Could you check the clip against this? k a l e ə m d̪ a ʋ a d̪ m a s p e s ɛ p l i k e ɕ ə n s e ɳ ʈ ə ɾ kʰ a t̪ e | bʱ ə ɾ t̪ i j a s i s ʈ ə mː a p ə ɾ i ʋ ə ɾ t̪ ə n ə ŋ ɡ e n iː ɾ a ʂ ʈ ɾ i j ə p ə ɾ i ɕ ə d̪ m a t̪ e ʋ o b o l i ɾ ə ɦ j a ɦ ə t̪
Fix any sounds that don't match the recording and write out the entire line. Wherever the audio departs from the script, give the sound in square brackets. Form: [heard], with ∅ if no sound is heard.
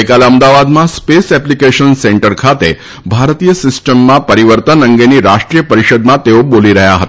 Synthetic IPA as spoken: k a l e ə m d̪ a ʋ a d̪ m a s p e s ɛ p l i k e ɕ ə n s e ɳ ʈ ə ɾ kʰ a t̪ e | bʱ [a] ɾ t̪ i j [ə] s i s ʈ ə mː a p ə ɾ i ʋ ə ɾ t̪ ə n ə ŋ ɡ e n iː ɾ a ʂ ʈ ɾ i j ə p ə ɾ i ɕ ə d̪ m a t̪ e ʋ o b o l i ɾ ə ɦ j a ɦ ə t̪